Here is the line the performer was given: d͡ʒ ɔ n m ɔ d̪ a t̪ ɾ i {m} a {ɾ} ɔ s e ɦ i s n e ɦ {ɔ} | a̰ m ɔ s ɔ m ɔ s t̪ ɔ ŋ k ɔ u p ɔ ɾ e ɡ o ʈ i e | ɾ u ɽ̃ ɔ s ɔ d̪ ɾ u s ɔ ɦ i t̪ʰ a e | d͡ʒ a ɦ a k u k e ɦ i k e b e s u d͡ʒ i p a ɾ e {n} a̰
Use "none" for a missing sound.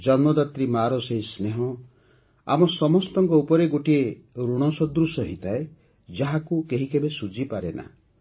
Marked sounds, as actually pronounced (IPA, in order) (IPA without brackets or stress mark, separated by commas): m, ɾ, ɔ, n